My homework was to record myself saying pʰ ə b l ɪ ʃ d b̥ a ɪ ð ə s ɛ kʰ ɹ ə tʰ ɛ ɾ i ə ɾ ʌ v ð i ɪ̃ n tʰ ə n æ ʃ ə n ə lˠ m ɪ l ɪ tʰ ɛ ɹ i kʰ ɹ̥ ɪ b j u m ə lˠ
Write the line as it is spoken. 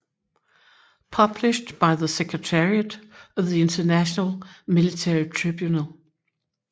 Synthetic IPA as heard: pʰ ʌ b l ɪ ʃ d b̥ a ɪ ð ə s ɛ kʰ ɹ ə tʰ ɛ ɹ i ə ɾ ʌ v ð i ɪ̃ n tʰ ə n æ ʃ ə n ə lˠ m ɪ l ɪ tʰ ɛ ɹ i tʰ ɹ̥ ɪ b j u n ə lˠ